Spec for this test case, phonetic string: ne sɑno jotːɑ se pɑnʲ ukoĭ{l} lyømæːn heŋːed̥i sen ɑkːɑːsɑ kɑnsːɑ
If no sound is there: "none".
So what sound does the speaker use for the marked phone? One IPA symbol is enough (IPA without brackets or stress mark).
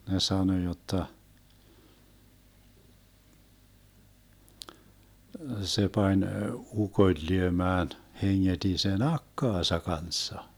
l